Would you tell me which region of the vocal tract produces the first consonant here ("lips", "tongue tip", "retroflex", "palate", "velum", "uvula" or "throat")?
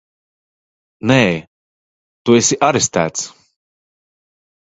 tongue tip